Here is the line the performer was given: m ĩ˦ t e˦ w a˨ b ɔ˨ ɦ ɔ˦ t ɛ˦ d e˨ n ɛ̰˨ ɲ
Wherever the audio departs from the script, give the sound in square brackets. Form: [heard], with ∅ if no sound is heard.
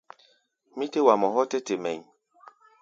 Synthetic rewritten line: m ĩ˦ t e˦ w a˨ [m] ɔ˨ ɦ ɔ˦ t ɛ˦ [t] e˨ [m] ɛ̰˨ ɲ